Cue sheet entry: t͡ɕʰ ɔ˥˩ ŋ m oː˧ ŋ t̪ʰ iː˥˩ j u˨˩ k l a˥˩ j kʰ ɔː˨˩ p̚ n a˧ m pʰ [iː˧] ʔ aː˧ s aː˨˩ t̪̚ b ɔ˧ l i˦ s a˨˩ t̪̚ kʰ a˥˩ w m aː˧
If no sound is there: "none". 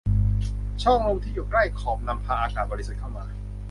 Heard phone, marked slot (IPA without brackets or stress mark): aː˧